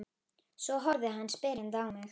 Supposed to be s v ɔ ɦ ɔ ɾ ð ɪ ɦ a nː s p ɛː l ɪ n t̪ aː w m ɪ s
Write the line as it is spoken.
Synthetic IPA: s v ɔ ɦ ɔ ɾ ð ɪ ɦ a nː s p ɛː ɾ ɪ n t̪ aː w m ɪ x